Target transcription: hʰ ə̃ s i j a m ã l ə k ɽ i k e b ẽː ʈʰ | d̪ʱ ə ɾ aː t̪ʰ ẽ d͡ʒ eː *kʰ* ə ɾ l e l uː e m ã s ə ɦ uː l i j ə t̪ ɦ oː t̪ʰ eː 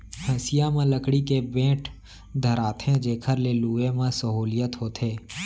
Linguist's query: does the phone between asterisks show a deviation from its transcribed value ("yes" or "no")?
no